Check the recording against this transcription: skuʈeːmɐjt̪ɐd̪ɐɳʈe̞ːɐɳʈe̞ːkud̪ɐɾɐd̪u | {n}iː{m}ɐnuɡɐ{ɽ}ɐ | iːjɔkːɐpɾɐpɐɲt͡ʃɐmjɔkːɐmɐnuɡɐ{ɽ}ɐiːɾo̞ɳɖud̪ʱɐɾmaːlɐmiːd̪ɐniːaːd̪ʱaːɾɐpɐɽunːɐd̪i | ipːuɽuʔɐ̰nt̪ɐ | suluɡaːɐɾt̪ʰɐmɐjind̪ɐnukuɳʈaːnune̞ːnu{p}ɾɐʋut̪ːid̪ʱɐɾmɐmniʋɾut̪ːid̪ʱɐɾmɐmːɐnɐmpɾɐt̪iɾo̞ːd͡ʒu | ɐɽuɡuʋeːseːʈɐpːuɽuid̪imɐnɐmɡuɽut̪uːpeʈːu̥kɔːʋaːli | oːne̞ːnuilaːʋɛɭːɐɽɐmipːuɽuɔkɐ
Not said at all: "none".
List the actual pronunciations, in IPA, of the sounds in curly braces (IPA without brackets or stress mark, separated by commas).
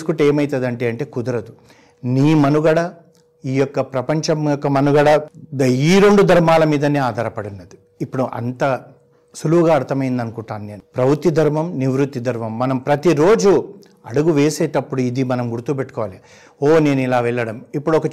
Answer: n, m, ɽ, ɽ, p